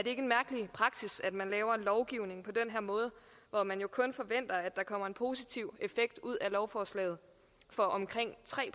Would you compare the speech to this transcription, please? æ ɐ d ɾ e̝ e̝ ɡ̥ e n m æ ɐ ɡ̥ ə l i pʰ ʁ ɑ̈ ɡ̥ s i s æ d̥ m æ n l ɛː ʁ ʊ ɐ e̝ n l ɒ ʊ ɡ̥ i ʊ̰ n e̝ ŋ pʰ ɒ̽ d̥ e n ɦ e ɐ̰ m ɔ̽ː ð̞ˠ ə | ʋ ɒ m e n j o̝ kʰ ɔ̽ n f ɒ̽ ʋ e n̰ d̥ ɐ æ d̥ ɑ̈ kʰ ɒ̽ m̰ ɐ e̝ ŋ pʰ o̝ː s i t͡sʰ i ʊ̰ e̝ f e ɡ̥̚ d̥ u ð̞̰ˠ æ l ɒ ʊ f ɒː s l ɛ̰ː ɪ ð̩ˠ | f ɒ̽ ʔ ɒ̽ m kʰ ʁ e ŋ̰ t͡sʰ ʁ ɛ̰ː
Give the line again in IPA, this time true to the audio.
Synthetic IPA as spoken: æ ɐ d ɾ e̝ e̝ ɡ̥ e n m æ ɐ ɡ̥ ə l i pʰ ʁ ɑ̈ ɡ̥ s i s æ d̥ m æ n l ɛː ʊ ɐ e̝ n l ɒ ʊ ɡ̥ i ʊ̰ n e̝ ŋ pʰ ɒ̽ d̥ e n ɦ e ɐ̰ m ɔ̽ː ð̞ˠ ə | ʋ ɒ m æ n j o̝ kʰ ɔ̽ n f ɒ̽ ʋ e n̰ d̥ ɐ æ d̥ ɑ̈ kʰ ɒ̽ m̰ ɐ e̝ n pʰ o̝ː s i t͡sʰ i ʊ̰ e̝ f e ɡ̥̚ d̥ u ð̞̰ˠ æ l ɒ ʊ f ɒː s l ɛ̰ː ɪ ð̩ˠ | f ɒ̽ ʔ ɒ̽ m kʰ ʁ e ŋ̰ t͡sʰ ʁ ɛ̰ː